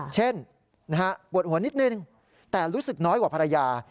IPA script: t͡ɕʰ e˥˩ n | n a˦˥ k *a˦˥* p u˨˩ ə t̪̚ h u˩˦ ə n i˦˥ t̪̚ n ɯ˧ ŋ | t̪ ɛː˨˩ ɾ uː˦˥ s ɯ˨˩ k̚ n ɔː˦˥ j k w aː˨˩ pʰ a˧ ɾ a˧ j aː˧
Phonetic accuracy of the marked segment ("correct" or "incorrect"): correct